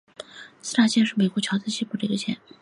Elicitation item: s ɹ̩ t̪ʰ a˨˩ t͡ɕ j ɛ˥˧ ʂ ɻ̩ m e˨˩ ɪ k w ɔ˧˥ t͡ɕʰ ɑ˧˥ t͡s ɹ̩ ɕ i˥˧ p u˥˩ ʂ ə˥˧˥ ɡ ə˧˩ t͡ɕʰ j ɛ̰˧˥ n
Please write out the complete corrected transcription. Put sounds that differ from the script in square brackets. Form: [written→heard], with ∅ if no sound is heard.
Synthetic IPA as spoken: s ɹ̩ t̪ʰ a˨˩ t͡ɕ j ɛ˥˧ ʂ ɻ̩ m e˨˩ ɪ k w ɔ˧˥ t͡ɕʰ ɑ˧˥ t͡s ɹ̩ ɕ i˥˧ p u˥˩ [ʂ→ʈ͡ʂ] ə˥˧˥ ɡ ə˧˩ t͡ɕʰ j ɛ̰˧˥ n